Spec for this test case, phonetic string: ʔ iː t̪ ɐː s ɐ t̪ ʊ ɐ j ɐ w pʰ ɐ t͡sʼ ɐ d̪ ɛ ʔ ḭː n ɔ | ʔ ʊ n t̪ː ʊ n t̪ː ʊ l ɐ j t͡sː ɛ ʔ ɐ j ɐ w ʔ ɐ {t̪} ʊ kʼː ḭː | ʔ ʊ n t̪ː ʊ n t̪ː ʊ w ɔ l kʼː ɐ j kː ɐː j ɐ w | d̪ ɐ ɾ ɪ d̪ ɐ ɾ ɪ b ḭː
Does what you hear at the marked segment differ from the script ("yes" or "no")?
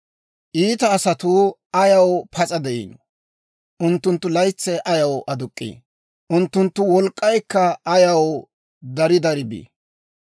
yes